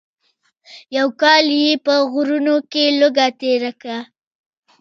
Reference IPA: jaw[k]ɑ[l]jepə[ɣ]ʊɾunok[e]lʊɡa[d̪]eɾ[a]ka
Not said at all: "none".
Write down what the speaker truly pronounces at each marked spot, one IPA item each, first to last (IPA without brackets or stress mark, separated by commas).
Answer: k, l, ɣ, e, t̪, a